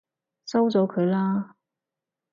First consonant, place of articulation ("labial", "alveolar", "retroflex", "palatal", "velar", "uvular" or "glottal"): alveolar